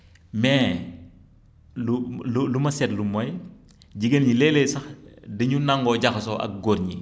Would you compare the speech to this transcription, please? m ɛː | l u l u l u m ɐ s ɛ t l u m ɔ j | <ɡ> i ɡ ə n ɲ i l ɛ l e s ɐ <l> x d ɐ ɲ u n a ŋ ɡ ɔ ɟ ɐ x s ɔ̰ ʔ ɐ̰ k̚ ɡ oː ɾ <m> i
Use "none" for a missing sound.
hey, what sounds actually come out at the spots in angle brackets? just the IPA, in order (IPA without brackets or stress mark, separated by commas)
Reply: ɟ, none, ɲ